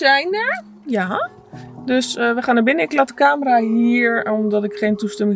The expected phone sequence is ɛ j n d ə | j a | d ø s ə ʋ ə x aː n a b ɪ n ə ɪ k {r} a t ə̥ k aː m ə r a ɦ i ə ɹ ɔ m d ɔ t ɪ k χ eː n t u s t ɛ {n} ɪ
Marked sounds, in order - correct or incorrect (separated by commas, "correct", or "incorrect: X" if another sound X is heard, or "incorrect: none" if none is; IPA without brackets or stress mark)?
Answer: incorrect: l, incorrect: m